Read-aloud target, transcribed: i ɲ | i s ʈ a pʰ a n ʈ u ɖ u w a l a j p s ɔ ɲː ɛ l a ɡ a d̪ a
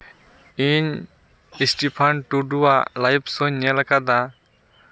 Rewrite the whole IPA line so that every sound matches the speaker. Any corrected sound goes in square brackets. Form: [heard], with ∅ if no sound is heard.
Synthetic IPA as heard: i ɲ | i s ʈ [i] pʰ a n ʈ u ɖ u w a l a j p s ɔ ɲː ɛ l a [k] a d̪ a